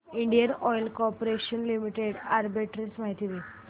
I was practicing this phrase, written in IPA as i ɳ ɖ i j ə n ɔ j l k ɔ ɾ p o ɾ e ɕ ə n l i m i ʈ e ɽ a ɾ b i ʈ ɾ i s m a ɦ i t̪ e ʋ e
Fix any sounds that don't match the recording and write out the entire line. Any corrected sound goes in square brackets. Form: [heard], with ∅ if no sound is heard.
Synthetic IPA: i ɳ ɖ i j ə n ɔ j l k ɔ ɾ p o ɾ e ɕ ə n l i m i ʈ e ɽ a ɾ b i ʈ ɾ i s m a ɦ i t̪ [i] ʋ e